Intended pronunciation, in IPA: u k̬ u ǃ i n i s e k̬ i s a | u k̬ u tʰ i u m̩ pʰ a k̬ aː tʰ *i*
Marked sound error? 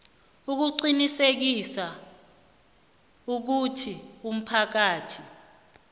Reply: no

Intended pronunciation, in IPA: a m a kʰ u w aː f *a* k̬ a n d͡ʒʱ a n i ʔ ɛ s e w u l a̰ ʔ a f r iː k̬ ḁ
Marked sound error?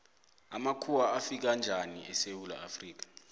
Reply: yes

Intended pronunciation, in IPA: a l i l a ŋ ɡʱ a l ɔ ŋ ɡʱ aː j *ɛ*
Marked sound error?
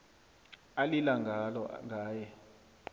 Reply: no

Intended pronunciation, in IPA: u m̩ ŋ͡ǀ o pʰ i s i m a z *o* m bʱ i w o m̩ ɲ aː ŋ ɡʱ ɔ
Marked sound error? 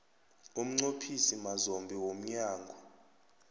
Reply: no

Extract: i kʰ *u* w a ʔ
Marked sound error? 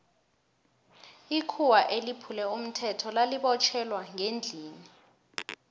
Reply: no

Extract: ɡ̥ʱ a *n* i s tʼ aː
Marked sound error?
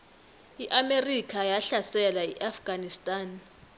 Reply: no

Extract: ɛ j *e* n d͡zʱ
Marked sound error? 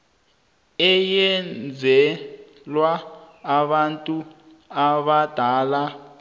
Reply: yes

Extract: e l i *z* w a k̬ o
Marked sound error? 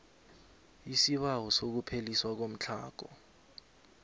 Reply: yes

